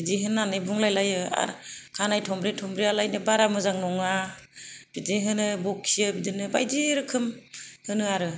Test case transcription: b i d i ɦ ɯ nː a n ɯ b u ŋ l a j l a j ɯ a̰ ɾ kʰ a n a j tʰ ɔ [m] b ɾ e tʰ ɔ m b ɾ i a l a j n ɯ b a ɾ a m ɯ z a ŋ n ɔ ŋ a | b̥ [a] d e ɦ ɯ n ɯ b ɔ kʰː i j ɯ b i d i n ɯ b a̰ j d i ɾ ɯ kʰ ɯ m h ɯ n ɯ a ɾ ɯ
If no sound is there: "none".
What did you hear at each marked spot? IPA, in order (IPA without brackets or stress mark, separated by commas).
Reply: m, i